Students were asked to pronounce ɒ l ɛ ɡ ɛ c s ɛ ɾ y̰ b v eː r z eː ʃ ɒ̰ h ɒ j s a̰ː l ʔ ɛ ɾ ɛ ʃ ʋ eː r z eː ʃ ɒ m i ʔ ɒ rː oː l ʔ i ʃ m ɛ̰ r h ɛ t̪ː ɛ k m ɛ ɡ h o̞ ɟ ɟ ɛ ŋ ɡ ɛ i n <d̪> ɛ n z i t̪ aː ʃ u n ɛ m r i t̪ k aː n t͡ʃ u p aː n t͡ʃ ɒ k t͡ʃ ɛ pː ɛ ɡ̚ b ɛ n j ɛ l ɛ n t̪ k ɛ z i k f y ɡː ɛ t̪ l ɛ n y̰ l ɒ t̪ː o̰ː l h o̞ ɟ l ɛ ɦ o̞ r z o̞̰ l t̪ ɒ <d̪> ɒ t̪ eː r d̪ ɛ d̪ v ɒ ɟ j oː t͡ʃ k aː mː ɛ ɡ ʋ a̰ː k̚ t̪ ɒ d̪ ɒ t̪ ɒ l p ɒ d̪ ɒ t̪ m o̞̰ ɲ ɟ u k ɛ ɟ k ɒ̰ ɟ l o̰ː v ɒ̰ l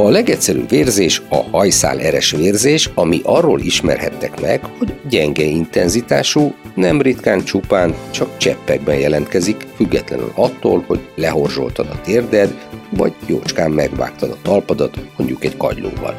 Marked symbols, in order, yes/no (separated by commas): no, yes